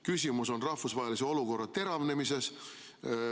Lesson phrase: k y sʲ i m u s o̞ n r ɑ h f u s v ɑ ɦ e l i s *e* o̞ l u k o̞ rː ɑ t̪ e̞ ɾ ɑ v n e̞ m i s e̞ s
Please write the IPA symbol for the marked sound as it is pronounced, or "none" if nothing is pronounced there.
e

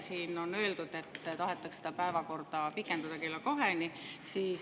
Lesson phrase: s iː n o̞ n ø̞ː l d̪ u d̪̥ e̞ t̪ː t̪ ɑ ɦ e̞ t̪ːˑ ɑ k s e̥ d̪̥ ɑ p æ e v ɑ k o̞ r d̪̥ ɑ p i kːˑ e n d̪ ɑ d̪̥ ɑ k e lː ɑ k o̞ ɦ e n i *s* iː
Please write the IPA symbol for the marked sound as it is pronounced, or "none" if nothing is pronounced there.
s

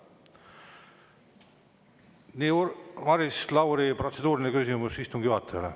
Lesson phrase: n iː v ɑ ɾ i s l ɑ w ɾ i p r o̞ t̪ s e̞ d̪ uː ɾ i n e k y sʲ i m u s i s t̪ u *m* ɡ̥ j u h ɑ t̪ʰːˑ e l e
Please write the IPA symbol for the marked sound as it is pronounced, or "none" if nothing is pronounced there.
ŋ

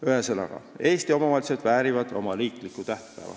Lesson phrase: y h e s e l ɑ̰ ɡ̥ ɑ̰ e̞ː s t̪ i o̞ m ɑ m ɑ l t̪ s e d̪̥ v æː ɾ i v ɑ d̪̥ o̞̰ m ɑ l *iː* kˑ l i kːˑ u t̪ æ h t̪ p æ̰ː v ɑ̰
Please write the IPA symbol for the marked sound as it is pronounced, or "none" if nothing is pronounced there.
iː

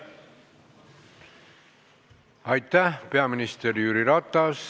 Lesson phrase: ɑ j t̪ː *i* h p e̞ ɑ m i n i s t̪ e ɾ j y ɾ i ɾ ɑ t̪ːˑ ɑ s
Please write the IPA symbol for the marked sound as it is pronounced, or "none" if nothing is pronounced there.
æ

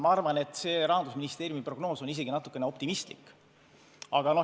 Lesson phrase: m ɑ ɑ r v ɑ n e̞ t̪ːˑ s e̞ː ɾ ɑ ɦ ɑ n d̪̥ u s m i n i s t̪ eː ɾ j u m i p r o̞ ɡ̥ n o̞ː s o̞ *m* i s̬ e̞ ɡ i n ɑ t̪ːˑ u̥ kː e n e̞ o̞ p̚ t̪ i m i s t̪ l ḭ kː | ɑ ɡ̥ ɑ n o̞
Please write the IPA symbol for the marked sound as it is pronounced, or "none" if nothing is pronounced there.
n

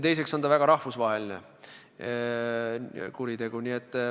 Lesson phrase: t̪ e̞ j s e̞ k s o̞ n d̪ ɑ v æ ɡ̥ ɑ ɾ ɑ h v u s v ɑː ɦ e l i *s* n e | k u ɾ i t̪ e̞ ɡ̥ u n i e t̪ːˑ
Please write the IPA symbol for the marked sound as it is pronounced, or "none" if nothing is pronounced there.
none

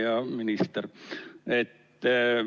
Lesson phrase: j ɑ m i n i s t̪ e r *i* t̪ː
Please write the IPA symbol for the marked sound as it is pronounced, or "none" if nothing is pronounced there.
e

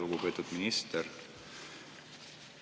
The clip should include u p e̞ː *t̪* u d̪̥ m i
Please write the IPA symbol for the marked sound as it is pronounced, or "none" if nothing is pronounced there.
t̪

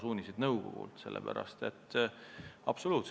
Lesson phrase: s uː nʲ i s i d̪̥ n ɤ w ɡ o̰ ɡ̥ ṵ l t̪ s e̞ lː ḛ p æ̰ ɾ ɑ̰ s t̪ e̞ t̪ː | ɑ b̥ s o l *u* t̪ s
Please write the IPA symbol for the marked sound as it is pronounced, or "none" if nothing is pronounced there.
uː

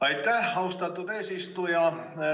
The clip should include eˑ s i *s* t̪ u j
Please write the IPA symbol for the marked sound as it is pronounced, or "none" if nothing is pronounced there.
s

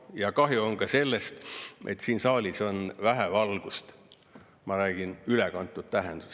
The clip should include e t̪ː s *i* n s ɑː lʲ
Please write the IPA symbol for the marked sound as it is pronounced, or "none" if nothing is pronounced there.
iː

